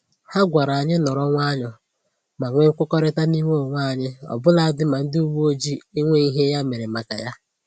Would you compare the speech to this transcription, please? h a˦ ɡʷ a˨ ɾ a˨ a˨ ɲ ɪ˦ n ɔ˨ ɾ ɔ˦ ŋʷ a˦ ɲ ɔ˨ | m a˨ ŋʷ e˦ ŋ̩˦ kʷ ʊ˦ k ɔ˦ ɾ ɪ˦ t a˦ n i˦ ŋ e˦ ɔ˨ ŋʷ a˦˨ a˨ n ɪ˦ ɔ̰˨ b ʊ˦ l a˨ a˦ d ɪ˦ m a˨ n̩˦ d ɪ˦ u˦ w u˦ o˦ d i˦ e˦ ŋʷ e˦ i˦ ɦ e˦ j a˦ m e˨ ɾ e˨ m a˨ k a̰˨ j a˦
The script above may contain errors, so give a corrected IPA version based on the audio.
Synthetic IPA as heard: h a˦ ɡʷ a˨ ɾ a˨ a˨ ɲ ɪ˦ n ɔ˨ ɾ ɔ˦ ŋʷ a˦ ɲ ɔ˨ | m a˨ ŋʷ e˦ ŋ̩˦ kʷ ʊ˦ k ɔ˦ ɾ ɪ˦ t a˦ n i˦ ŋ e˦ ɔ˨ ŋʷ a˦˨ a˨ ɲ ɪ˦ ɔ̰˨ b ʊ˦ l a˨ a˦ d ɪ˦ m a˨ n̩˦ d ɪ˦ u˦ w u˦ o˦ d͡ʒ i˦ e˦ ŋʷ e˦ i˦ ɦ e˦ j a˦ m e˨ ɾ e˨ m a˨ k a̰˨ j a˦